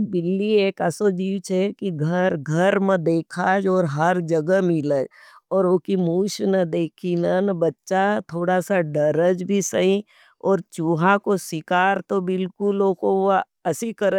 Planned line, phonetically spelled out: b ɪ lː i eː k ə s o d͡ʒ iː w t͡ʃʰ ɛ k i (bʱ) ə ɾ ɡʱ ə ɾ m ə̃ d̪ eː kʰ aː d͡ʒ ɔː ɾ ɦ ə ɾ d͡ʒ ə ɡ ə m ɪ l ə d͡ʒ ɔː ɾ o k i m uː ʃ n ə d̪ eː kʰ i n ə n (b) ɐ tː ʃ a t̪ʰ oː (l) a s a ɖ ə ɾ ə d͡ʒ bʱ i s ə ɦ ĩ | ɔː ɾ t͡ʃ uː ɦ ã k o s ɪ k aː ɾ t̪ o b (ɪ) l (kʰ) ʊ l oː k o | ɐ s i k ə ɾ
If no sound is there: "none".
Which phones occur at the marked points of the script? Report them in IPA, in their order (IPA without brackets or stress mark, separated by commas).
ɡʱ, b, ɽ, ɪ, k